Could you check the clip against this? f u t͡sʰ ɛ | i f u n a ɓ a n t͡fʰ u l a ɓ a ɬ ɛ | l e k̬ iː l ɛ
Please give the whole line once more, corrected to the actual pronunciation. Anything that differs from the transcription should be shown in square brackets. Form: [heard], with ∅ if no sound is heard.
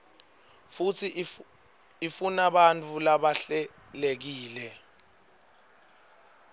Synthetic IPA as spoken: f u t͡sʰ [i] | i f u n a ɓ a n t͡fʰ u l a ɓ a ɬ ɛ | l e k̬ iː l ɛ